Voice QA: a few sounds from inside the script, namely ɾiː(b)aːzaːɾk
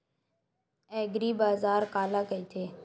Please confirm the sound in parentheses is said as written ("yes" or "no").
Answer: yes